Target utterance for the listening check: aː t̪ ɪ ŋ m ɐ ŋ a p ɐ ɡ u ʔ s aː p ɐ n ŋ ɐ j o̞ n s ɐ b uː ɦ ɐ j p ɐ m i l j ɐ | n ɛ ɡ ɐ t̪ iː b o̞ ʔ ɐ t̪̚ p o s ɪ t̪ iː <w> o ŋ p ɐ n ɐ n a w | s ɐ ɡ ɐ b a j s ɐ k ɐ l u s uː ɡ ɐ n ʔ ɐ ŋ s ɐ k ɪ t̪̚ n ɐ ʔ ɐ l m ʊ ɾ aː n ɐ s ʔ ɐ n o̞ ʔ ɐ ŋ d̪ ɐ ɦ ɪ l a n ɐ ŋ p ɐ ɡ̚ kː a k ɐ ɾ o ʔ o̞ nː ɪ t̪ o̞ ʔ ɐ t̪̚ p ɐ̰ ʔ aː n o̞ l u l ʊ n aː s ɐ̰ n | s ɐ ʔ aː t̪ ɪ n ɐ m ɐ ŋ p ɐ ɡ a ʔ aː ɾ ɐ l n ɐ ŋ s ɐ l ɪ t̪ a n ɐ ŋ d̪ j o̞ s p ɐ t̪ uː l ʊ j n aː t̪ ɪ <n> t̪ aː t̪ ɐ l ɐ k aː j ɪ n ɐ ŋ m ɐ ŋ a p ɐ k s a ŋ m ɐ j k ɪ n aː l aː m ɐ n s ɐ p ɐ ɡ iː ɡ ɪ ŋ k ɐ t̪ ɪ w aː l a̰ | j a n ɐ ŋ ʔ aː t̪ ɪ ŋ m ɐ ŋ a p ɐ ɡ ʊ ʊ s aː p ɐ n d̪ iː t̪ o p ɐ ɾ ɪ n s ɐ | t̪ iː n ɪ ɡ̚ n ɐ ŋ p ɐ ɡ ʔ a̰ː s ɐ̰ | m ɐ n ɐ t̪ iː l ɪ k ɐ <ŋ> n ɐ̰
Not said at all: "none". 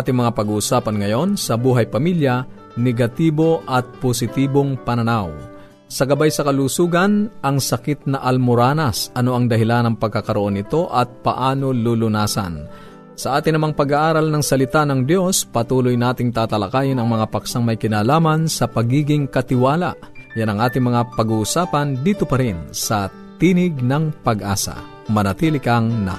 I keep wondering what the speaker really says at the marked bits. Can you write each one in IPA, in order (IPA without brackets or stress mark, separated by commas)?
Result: b, ŋ, ŋ